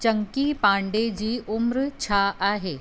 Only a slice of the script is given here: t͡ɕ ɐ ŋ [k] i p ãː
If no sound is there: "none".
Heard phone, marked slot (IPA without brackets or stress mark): k